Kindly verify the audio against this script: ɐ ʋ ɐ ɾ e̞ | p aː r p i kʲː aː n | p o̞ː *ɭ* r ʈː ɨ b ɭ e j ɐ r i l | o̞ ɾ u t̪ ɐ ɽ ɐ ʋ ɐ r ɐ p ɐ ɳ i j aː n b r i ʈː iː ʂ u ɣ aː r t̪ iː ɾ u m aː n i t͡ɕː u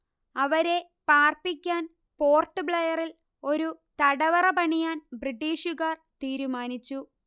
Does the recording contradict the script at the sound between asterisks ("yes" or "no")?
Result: yes